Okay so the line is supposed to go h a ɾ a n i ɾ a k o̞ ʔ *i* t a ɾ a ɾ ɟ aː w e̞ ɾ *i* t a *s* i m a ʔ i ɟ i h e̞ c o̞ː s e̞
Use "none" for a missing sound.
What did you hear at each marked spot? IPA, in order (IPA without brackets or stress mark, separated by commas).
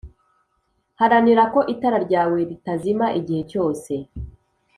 i, i, z